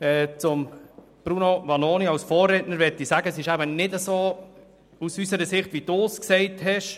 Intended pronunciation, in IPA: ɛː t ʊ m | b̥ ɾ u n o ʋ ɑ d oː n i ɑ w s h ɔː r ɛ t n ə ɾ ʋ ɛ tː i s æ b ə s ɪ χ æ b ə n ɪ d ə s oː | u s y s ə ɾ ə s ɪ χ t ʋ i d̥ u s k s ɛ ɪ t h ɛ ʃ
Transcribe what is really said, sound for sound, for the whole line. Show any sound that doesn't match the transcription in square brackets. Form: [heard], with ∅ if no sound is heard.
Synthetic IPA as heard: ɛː [t͡s] ʊ m | b̥ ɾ u n o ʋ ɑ [n] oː n i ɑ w s [f] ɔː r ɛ t n ə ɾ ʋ ɛ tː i s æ [ɡ] ə s ɪ [ʃ] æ b ə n ɪ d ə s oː | u s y s ə ɾ ə s ɪ χ t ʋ i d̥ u s k s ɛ ɪ t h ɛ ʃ